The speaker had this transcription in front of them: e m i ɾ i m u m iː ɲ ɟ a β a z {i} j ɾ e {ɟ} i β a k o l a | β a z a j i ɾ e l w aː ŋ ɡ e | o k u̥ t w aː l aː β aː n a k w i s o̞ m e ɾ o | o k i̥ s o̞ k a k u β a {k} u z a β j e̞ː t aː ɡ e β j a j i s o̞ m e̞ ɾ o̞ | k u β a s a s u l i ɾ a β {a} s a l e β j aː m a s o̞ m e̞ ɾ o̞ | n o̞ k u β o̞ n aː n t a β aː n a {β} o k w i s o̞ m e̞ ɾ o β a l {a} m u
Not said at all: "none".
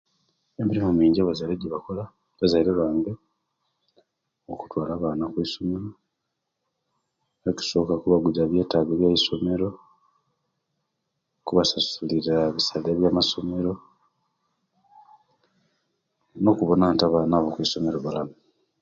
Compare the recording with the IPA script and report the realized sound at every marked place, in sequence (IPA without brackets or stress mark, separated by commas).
a, ɟ, ɡ, i, β, a